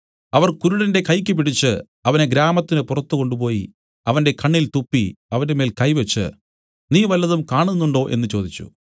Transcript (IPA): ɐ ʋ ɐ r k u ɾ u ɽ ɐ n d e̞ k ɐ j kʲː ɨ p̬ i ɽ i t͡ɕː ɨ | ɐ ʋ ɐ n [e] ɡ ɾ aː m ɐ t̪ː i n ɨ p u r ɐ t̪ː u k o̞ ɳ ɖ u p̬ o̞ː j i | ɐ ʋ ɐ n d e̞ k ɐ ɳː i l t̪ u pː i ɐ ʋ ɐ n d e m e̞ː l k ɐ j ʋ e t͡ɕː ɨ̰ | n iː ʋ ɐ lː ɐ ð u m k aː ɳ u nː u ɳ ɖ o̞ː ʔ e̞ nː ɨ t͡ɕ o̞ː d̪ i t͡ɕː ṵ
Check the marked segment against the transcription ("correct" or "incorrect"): correct